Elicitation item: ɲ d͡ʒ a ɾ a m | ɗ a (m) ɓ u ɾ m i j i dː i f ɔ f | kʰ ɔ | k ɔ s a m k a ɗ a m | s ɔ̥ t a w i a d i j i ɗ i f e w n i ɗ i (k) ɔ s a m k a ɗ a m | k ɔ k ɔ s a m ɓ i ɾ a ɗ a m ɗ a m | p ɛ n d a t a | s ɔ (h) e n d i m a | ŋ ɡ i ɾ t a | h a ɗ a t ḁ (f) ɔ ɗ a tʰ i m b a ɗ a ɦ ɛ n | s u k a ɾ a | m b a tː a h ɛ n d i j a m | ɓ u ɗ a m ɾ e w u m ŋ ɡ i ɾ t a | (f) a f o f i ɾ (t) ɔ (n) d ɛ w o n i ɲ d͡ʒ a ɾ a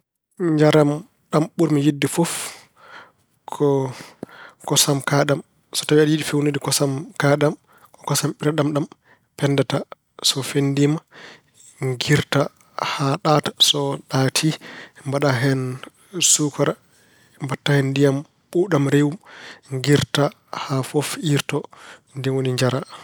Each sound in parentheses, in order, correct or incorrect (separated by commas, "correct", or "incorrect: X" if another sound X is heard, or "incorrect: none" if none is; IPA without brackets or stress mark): correct, correct, incorrect: f, incorrect: s, incorrect: h, correct, correct